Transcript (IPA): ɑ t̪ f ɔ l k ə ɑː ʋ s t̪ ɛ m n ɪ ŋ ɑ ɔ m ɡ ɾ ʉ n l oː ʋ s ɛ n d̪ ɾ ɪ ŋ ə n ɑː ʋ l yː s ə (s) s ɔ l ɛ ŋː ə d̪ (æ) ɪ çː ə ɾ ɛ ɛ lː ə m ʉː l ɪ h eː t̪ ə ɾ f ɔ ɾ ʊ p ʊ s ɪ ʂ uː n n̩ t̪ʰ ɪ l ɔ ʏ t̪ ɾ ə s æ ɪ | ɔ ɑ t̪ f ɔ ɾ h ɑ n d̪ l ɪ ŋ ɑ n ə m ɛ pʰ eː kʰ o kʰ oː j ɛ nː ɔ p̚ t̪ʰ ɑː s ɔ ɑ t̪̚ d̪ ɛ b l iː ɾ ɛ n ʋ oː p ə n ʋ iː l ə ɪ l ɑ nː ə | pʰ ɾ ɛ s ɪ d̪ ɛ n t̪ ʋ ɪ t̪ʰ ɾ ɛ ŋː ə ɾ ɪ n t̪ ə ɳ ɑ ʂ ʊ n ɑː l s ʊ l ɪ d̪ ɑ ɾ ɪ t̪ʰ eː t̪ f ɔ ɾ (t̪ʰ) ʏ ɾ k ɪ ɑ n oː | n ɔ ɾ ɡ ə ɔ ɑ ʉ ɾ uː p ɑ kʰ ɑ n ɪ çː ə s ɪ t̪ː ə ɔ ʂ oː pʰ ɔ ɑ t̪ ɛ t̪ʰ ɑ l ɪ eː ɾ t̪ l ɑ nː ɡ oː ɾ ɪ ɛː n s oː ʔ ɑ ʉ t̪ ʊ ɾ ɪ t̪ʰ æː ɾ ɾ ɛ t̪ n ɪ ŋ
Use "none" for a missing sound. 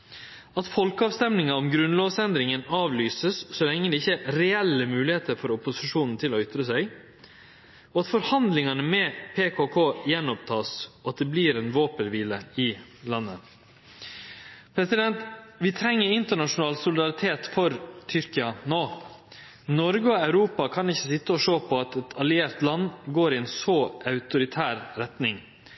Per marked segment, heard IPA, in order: s, ɛ, t̪ʰ

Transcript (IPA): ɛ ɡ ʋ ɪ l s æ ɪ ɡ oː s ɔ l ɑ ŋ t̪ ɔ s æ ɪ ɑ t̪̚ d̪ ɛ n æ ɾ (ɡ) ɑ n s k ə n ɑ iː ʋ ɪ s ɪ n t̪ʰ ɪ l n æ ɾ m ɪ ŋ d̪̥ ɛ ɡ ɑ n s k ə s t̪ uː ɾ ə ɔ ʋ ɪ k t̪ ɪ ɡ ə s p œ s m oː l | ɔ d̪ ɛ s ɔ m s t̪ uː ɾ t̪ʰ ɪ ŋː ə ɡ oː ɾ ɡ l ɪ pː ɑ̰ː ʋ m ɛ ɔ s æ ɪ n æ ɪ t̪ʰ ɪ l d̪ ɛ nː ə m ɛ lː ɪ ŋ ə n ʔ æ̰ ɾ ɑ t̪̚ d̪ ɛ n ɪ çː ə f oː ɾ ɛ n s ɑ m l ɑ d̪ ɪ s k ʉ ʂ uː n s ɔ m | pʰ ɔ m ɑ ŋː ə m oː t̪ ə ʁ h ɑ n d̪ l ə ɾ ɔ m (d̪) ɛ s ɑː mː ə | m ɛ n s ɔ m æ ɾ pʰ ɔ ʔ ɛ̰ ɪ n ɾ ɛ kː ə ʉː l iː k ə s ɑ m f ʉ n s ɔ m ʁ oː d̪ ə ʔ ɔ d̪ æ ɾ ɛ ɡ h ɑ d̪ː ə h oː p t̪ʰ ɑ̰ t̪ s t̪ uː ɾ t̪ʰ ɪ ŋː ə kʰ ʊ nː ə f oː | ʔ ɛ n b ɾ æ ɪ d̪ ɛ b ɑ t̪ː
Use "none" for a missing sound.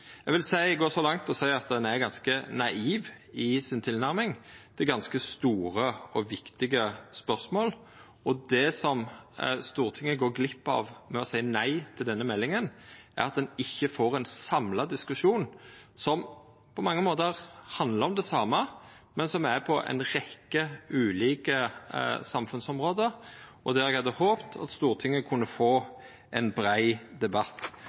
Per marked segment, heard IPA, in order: ɡ, d̪

